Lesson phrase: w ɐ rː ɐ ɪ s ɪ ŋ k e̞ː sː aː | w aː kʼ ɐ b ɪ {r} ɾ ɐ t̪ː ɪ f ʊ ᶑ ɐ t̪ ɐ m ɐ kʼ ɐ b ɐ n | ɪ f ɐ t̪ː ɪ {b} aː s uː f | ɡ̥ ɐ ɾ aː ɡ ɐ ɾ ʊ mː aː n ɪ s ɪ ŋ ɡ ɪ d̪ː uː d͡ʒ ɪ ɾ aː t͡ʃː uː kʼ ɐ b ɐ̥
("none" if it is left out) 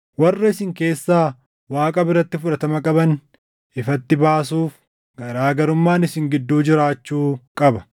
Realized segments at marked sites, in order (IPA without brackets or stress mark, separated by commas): r, b